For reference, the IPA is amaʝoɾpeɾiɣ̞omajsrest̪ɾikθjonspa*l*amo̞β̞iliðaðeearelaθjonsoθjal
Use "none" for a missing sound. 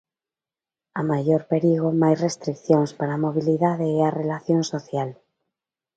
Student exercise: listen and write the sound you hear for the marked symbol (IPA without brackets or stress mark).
ɾ